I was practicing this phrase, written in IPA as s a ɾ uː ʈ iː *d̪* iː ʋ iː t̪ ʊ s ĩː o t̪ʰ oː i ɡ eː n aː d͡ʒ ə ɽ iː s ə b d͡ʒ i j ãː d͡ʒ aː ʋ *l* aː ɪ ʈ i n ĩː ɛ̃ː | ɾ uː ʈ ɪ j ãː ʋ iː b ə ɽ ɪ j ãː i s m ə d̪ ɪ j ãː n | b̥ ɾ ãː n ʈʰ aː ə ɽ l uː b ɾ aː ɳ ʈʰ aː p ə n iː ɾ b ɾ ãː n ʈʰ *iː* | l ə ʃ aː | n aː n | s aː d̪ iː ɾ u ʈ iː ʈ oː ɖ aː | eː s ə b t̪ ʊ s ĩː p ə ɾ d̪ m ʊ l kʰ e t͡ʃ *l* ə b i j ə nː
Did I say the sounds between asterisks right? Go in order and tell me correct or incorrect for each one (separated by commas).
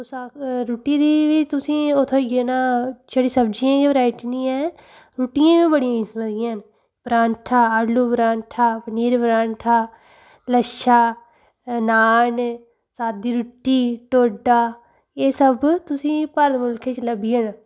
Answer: correct, incorrect, incorrect, correct